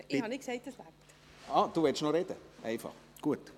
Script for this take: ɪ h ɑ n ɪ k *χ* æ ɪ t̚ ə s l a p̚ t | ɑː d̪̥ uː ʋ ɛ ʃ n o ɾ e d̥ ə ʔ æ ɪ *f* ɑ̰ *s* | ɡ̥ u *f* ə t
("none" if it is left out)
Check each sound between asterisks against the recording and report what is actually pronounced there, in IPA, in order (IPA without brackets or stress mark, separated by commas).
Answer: s, f, χ, none